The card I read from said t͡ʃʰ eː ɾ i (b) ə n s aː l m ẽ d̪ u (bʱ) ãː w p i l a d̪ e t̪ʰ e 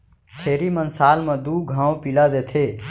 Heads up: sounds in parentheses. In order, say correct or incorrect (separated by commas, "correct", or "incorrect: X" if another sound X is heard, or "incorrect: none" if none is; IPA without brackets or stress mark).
incorrect: m, incorrect: ɡʱ